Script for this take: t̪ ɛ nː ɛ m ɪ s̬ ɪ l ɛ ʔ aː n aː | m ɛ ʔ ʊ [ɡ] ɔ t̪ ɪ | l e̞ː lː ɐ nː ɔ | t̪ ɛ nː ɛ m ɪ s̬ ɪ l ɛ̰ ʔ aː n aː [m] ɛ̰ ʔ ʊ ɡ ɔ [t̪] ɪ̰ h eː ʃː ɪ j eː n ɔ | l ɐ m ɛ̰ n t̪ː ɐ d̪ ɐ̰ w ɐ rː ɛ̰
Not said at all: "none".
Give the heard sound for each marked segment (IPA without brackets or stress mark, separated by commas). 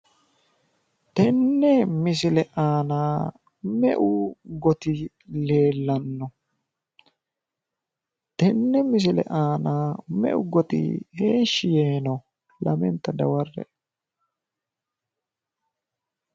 ɡ, m, t̪